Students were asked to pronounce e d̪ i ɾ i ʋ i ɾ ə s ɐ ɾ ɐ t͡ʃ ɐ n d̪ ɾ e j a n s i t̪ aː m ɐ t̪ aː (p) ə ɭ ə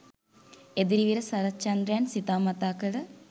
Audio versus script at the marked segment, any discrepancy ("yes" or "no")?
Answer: yes